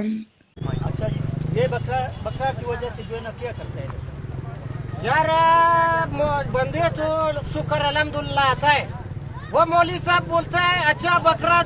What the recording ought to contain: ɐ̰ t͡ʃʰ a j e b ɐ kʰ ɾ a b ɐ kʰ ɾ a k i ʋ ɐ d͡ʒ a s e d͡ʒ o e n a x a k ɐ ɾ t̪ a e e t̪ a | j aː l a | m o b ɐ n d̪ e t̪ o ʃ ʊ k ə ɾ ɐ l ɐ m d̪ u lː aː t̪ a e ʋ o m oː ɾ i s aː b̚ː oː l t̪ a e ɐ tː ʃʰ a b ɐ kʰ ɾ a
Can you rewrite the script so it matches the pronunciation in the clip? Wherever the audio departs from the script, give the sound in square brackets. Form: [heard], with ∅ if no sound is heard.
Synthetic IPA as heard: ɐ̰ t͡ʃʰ a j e b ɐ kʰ ɾ a b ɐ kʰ ɾ a k i ʋ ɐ d͡ʒ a s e d͡ʒ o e n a [k] a k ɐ ɾ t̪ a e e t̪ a | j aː [ɾ] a | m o b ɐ n d̪ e t̪ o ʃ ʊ k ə ɾ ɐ l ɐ m d̪ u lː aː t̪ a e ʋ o m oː [l] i s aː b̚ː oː l t̪ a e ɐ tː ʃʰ a b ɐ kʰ ɾ a